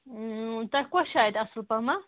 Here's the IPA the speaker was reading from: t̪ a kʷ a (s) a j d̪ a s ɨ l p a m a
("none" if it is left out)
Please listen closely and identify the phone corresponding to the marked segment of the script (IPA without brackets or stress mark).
ʃ